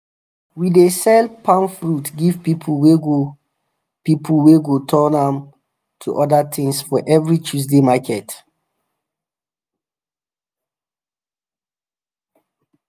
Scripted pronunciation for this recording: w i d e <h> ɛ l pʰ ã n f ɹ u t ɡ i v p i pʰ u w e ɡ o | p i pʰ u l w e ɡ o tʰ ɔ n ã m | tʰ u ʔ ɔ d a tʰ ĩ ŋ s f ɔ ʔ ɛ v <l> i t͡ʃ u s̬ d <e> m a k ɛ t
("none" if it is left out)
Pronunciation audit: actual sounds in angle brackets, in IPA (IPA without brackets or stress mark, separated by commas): s, ɹ, e